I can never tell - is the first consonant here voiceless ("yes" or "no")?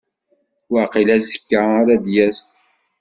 no